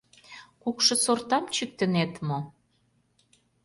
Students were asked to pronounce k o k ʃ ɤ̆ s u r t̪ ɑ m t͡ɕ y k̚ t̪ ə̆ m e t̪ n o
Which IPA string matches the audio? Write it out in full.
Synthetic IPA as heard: k u k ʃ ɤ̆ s o r t̪ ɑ m t͡ɕ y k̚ t̪ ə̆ n e t̪ m o